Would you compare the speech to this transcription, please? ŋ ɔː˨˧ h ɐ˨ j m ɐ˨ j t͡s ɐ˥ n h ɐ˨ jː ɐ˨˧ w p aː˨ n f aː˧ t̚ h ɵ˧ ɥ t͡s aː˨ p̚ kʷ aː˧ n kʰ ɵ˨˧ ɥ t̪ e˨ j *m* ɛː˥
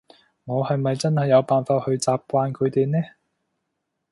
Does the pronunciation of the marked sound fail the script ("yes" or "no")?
yes